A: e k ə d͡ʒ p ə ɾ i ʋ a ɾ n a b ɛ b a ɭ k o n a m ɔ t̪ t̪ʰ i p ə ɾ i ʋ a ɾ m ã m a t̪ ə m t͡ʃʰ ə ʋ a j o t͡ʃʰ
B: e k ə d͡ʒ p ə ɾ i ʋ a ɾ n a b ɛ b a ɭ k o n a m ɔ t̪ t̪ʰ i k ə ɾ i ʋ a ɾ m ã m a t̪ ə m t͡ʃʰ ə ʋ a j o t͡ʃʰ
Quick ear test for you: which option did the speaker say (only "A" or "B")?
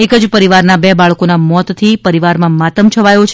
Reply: A